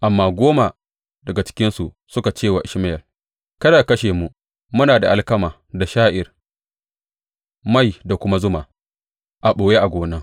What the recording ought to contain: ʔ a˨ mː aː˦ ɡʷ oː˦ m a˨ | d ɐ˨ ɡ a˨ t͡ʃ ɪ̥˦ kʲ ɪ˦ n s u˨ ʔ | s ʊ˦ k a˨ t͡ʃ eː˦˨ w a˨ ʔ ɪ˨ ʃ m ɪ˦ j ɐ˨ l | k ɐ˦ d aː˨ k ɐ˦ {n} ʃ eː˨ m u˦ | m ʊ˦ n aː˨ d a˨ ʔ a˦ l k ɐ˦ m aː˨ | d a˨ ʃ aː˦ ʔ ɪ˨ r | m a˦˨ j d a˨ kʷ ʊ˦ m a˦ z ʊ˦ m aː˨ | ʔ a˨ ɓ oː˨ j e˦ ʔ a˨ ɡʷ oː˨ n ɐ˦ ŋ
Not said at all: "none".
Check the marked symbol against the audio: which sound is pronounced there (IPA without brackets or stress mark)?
none